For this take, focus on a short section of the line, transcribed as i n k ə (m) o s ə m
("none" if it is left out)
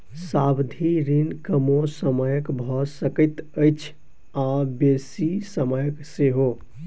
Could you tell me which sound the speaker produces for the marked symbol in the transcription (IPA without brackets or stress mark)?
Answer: m